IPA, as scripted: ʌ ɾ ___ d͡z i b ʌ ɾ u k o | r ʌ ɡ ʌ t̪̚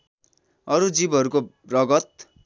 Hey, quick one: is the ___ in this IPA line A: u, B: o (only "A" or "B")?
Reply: A